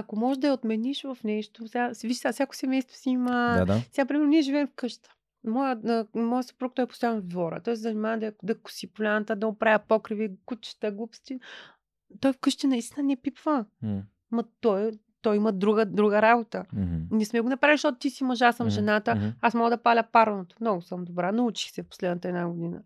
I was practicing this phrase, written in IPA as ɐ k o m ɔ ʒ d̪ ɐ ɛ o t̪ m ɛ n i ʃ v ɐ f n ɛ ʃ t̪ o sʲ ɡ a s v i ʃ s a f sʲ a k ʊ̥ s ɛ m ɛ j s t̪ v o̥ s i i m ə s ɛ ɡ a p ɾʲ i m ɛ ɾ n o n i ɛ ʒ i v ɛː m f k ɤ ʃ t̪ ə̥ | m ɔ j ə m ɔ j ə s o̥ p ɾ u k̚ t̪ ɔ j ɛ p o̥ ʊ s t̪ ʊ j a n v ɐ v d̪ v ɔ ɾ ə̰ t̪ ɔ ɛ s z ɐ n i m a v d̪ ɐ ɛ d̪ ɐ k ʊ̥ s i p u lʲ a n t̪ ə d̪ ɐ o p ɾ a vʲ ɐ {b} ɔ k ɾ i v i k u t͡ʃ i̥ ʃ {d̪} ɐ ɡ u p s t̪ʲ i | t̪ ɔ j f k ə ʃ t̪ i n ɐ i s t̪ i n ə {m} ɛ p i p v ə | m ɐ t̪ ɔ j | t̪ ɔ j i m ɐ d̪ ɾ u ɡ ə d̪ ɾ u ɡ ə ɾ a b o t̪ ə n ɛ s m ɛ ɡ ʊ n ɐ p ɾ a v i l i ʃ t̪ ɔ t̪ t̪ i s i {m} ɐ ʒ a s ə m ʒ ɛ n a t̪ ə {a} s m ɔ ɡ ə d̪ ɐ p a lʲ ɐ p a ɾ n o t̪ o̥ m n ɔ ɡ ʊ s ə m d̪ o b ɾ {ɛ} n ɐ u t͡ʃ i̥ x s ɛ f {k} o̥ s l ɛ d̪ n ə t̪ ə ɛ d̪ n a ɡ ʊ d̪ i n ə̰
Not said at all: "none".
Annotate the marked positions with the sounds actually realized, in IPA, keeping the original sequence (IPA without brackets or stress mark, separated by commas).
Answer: p, t̪, n, m, a, a, p